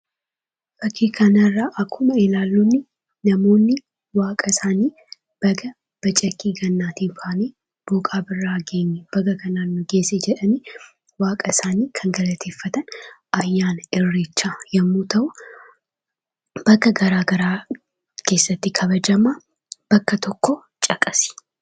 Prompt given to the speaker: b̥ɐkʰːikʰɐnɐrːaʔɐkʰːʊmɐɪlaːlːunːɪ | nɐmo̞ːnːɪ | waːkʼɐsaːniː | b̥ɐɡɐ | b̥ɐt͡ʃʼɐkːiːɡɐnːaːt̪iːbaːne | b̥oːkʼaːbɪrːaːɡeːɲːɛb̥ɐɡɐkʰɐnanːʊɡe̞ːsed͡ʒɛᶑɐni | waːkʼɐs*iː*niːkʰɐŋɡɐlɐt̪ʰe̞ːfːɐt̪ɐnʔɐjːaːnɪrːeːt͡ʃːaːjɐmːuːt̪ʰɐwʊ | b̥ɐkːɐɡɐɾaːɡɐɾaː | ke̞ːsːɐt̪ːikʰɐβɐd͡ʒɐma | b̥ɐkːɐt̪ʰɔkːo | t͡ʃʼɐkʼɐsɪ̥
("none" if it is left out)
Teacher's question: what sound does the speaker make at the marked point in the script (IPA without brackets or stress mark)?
aː